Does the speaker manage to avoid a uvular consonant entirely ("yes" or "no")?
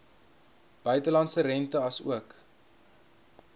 yes